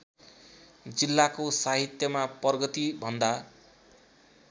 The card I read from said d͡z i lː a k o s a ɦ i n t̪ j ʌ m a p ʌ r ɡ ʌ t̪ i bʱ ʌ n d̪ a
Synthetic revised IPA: d͡z i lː a k o s a ɦ i t̪ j ʌ m a p ʌ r ɡ ʌ t̪ i bʱ ʌ n d̪ a